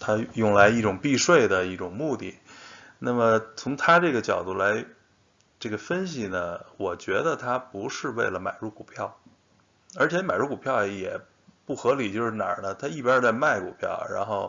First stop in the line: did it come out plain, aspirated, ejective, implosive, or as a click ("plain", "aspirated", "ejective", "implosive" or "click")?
aspirated